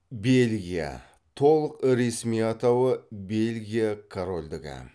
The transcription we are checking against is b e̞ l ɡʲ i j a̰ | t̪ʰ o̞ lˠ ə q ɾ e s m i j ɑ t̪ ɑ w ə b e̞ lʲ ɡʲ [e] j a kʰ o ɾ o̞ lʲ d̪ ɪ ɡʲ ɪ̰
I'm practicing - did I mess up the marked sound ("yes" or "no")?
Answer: yes